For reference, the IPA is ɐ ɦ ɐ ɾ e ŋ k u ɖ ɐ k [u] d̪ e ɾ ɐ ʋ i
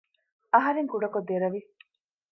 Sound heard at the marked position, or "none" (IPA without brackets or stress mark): o